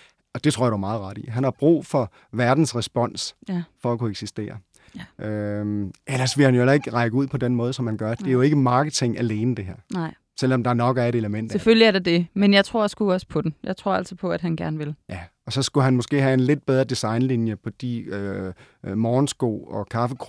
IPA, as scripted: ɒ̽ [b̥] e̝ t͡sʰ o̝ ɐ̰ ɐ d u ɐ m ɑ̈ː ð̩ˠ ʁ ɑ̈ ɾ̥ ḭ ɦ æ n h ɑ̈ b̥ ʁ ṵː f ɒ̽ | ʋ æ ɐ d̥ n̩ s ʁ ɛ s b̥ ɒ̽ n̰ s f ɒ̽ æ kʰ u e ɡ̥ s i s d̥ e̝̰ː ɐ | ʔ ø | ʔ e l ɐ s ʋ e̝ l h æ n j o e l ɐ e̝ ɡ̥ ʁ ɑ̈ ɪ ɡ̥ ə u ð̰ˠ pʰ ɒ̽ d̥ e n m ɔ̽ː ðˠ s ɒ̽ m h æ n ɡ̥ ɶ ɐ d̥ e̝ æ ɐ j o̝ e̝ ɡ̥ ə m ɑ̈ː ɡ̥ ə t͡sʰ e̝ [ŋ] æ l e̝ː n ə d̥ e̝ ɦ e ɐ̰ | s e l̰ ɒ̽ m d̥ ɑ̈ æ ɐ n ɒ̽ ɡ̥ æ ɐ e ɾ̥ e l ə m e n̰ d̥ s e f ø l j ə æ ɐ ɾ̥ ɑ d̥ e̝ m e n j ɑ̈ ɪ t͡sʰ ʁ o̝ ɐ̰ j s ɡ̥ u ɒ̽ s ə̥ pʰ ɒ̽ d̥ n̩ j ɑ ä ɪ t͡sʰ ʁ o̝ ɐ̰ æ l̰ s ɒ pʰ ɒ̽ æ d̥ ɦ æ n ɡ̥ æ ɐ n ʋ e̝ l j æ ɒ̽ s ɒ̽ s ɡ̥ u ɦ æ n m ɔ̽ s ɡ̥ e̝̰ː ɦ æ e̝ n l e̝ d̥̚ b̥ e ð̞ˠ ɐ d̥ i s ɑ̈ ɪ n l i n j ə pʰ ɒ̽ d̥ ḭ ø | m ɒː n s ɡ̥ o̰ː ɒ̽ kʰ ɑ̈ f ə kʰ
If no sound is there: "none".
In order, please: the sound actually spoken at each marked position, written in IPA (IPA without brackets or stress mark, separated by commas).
d̥, ŋ